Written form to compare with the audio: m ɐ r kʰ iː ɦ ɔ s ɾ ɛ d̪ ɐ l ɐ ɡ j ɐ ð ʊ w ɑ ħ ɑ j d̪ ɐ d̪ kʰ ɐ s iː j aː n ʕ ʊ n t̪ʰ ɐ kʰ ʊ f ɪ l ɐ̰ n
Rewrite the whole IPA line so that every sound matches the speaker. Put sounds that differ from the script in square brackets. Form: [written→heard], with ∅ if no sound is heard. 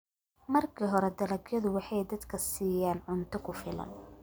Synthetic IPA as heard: m ɐ r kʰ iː ɦ ɔ [s→∅] ɾ ɛ d̪ ɐ l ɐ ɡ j ɐ ð ʊ w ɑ ħ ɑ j d̪ ɐ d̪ kʰ ɐ s iː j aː n ʕ ʊ n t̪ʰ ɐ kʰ ʊ f ɪ l ɐ̰ n